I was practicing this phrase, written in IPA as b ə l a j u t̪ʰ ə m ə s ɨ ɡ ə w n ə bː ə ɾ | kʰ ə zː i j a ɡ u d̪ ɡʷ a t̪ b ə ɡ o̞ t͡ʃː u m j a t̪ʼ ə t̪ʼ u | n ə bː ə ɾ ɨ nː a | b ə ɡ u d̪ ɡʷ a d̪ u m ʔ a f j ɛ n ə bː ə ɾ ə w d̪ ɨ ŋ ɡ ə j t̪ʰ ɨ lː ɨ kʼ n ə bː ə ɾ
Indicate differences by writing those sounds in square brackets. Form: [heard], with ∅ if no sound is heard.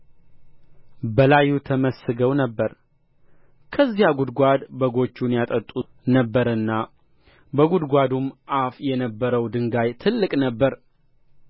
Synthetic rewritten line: b ə l a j u t̪ʰ ə m ə s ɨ ɡ ə w n ə bː ə ɾ | kʰ ə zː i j a ɡ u d̪ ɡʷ a [d̪] b ə ɡ o̞ t͡ʃː u [n] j a t̪ʼ ə t̪ʼ u | n ə bː ə ɾ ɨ nː a | b ə ɡ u d̪ ɡʷ a d̪ u m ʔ a f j ɛ n ə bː ə ɾ ə w d̪ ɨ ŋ ɡ [a] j t̪ʰ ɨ lː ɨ kʼ n ə bː ə ɾ